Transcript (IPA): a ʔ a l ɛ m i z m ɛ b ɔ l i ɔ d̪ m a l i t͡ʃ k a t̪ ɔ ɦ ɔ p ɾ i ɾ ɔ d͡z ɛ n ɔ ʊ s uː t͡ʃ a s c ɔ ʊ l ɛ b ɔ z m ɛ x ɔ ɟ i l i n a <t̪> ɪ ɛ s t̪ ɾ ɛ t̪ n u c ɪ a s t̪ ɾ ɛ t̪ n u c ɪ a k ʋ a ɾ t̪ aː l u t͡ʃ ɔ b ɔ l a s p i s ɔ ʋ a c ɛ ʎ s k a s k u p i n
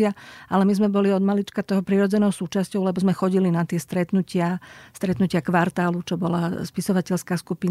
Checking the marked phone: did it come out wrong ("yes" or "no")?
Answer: no